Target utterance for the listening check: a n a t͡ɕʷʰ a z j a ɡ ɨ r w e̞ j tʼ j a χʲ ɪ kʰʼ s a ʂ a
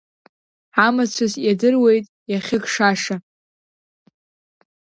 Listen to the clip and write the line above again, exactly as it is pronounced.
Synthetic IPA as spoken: a m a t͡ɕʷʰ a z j a d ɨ r w e̞ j tʼ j a χʲ ɪ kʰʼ ʂ a ʂ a